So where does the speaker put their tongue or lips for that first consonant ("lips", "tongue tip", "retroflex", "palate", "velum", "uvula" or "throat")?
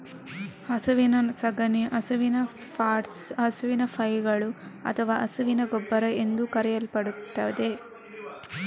tongue tip